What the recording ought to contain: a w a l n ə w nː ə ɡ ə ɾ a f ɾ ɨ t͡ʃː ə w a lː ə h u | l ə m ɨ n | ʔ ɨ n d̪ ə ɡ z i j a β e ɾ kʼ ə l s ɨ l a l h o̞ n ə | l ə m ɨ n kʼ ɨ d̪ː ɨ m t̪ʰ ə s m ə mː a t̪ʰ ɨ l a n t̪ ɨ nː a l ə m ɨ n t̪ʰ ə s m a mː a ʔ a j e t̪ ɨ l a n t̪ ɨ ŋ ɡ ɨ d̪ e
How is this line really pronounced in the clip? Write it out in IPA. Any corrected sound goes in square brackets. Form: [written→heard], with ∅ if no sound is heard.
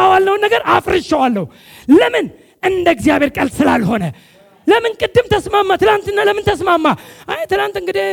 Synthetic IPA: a w a l n ə w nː ə ɡ ə ɾ a f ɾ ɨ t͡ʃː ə w a lː ə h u | l ə m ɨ n | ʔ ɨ n d̪ ə ɡ z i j a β e ɾ kʼ ə l s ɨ l a l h o̞ n ə | l ə m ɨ n kʼ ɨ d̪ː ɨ m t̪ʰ ə s m [ə→a] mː a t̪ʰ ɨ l a n t̪ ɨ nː a l ə m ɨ n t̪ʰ ə s m a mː a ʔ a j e t̪ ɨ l a n t̪ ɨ ŋ ɡ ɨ d̪ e